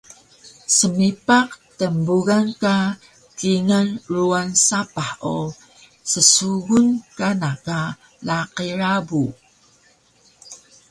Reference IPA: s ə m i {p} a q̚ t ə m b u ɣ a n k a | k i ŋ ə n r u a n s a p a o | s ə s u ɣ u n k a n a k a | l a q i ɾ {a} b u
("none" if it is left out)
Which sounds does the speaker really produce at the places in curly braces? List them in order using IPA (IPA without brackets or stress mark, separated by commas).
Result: p, a